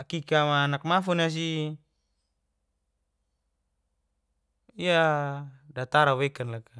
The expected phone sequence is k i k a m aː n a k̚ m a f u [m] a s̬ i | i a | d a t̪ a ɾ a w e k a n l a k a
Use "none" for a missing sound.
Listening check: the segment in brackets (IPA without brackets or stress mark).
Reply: n